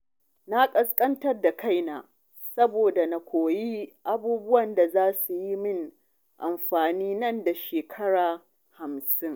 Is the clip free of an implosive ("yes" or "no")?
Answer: yes